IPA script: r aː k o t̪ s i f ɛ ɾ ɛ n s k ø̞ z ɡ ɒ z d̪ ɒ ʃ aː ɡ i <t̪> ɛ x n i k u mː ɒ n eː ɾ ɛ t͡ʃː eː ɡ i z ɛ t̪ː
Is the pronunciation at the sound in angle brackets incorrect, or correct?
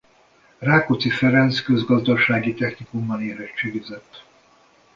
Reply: correct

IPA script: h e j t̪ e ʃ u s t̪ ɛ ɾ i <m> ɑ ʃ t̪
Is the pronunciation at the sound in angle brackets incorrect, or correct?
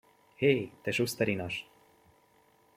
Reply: incorrect: n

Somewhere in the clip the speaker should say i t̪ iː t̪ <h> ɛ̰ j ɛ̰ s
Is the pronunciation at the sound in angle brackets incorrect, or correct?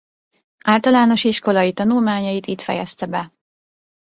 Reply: incorrect: f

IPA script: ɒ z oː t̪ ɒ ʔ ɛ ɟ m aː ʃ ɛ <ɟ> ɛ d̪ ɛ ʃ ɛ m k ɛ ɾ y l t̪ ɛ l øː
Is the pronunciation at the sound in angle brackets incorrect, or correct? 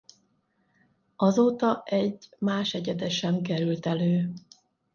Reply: correct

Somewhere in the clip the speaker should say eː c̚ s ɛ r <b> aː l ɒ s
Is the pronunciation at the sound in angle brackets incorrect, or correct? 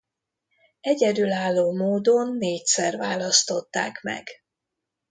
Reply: incorrect: v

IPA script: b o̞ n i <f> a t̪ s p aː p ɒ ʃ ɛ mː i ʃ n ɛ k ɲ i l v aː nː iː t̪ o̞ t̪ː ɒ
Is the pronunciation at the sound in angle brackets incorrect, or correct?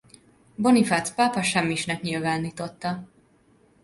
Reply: correct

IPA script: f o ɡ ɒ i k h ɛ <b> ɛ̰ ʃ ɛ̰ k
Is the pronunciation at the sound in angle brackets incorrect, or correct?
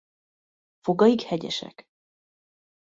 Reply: incorrect: ɟ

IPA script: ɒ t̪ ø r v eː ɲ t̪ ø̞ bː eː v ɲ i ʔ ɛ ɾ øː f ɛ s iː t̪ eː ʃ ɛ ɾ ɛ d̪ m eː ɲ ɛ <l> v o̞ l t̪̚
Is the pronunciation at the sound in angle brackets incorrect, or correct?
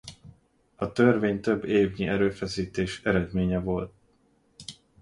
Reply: incorrect: none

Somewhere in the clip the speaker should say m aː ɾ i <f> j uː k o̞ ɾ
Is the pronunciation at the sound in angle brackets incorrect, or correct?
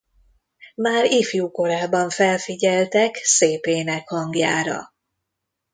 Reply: correct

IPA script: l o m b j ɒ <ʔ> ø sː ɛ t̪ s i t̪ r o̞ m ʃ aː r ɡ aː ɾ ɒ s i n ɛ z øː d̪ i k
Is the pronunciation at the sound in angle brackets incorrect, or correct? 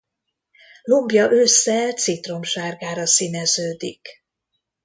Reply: correct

